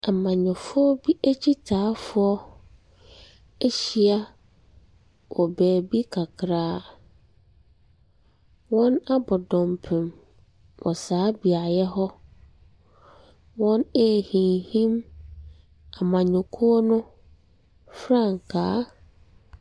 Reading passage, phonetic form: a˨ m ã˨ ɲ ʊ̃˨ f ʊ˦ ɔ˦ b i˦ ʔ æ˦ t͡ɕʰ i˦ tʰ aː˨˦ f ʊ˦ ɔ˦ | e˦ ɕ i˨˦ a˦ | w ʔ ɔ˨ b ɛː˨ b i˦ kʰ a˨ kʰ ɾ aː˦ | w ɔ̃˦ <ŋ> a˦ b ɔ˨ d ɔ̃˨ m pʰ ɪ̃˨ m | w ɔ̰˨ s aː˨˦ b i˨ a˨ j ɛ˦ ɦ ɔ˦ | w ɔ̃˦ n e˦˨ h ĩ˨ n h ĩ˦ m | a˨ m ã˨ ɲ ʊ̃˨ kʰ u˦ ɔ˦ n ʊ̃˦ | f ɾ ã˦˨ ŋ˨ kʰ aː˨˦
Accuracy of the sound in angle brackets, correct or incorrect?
incorrect